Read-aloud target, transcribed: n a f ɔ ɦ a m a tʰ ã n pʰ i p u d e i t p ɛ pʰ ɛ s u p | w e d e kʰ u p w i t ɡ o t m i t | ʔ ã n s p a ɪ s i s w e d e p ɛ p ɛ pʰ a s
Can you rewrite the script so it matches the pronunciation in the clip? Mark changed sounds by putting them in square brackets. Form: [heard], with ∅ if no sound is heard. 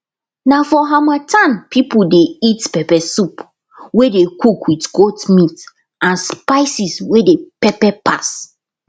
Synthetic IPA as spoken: n a f ɔ ɦ a m a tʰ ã n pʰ i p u d e i t p ɛ [p] ɛ s u p | w e d e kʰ u [k] w i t ɡ o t m i t | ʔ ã n s p a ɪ s i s w e d e p ɛ p ɛ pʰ a s